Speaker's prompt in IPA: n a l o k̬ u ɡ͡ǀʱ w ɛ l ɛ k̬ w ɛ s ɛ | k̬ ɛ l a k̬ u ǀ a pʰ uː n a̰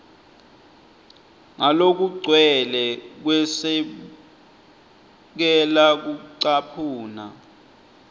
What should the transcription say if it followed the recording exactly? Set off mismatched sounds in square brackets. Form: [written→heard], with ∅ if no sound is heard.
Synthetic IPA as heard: [n→ŋ] a l o k̬ u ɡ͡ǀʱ w ɛ l ɛ k̬ w ɛ s ɛ | k̬ ɛ l a k̬ u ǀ a pʰ uː n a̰